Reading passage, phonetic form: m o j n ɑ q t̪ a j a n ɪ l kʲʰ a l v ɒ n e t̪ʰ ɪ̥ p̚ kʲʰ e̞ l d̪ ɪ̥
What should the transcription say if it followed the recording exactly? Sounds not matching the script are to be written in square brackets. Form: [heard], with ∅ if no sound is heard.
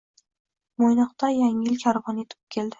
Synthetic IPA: m o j n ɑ q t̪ a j a [ŋ] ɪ l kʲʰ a [ɾ] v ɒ n e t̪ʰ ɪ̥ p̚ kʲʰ e̞ l d̪ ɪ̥